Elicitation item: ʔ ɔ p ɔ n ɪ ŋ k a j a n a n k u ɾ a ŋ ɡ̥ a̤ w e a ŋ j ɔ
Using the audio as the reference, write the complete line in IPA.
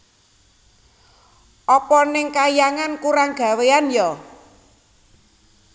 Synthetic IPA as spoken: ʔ ɔ p ɔ n ɪ ŋ k a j a ŋ a n k u ɾ a ŋ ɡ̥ a̤ w e a n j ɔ